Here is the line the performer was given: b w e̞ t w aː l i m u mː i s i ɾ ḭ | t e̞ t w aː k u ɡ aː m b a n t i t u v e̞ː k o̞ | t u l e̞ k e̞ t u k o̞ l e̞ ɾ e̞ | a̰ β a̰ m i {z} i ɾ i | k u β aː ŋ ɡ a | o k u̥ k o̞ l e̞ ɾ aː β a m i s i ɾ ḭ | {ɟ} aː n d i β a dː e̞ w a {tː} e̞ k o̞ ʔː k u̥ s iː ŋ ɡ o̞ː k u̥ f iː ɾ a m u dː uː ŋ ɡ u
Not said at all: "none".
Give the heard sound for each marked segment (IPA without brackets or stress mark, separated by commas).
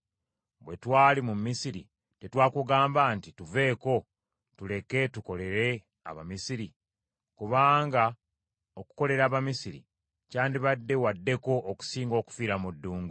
s, c, dː